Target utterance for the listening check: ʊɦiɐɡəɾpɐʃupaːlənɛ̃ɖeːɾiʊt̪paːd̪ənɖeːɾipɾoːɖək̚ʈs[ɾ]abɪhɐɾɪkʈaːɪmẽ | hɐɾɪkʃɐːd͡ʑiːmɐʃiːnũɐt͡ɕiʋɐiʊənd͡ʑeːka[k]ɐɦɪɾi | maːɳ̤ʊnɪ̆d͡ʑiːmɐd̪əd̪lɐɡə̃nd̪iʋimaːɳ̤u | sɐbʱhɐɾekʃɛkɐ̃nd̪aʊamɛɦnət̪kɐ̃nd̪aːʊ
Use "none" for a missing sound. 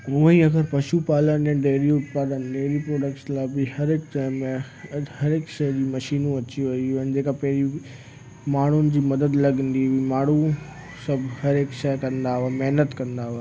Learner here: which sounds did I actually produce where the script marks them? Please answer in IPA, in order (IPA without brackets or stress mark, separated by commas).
l, p